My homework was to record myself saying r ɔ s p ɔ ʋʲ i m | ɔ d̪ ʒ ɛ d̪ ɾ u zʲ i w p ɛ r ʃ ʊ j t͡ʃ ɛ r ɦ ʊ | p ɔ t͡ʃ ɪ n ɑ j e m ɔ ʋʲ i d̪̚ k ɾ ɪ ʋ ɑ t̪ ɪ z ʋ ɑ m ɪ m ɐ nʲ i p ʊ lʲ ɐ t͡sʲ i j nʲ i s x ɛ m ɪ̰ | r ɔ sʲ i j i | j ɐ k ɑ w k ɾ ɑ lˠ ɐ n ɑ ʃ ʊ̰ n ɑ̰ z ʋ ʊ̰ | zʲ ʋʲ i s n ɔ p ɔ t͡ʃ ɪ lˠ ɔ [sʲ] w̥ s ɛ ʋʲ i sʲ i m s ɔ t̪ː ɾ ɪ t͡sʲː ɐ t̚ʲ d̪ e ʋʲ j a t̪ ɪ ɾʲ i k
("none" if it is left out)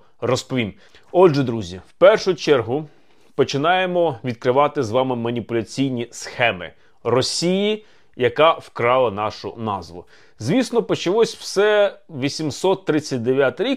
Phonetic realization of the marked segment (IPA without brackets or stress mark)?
sʲ